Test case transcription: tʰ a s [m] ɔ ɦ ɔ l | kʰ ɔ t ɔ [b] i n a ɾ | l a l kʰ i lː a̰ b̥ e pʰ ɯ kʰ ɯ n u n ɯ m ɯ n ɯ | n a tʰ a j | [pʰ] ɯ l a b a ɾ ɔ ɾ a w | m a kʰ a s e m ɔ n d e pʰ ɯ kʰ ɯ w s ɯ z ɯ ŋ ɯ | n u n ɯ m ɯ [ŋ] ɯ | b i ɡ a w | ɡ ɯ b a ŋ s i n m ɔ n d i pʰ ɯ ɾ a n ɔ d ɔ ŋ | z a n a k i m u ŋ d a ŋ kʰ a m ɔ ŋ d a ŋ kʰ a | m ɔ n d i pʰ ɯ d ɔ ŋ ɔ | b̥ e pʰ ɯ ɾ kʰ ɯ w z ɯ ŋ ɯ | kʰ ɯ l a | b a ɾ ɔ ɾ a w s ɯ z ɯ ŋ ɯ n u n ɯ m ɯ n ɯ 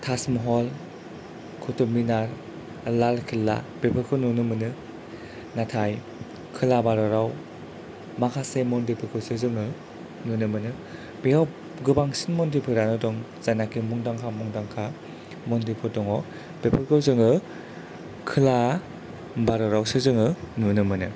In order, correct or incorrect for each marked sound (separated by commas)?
correct, incorrect, incorrect, incorrect